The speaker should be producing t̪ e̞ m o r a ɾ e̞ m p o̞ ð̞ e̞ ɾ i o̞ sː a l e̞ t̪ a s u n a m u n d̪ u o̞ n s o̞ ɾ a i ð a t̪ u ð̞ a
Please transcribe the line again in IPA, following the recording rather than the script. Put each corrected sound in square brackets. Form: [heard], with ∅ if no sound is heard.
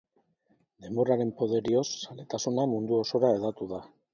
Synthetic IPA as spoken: [d̪] e̞ m o r a ɾ e̞ m p o̞ ð̞ e̞ ɾ i o̞ sː a l e̞ t̪ a s u n a m u n d̪ u o̞ [∅] s o̞ ɾ a [e] ð a t̪ u ð̞ a